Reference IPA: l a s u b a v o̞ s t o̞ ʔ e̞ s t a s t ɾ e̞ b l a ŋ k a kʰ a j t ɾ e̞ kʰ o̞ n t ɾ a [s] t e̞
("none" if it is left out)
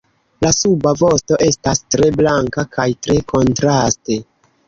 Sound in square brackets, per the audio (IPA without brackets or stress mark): s